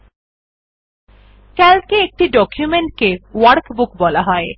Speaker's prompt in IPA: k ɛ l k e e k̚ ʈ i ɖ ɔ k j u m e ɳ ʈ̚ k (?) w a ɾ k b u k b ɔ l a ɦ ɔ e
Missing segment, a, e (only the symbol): e